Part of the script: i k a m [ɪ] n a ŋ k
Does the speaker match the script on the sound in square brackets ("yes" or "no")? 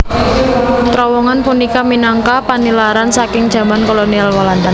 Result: no